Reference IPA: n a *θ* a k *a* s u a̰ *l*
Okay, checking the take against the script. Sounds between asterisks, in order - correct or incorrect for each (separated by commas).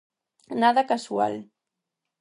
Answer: incorrect, correct, correct